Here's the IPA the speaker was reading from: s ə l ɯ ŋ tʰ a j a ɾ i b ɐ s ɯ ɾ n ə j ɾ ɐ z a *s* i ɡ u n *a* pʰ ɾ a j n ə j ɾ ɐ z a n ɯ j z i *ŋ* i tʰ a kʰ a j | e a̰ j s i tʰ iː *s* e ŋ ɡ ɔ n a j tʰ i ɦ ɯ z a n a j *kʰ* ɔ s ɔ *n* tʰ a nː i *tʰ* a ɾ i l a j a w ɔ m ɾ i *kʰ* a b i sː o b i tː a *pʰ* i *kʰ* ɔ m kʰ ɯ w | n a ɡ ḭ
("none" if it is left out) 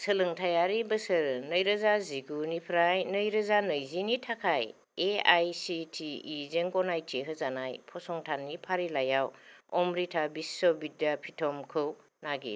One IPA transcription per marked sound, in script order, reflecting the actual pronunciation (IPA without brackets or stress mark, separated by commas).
z, i, n, z, pʰ, ŋ, pʰ, tʰ, pʰ, tʰ